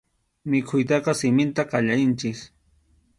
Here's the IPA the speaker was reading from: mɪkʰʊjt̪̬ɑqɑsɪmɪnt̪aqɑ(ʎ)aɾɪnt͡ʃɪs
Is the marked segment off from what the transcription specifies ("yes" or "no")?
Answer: no